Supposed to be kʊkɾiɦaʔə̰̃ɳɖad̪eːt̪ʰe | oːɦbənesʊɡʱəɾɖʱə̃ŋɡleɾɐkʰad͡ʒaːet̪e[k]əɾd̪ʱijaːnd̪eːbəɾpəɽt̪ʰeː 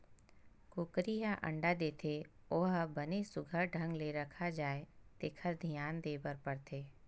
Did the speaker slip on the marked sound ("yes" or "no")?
yes